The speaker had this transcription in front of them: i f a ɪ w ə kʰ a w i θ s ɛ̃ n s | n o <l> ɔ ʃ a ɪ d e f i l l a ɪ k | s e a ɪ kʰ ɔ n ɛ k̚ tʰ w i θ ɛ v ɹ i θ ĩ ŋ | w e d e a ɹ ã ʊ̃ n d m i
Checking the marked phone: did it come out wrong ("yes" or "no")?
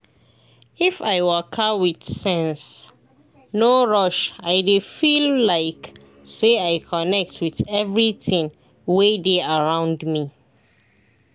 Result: yes